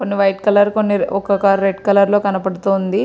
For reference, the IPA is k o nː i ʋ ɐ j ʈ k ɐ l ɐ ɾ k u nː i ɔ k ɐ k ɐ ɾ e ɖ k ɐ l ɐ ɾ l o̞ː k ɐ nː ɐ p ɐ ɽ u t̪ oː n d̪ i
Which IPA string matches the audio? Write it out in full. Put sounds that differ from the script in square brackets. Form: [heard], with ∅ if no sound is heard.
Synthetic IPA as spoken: k o nː i ʋ ɐ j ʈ k ɐ l ɐ ɾ k [o] nː i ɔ k ɐ k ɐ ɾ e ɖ k ɐ l ɐ ɾ l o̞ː k ɐ [n] ɐ p ɐ ɽ u t̪ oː n d̪ i